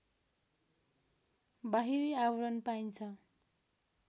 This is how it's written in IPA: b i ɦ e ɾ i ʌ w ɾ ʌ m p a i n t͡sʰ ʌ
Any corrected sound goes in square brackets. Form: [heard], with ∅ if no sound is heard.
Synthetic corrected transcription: b [a] ɦ [i] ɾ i [a] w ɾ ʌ [n] p a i n t͡sʰ ʌ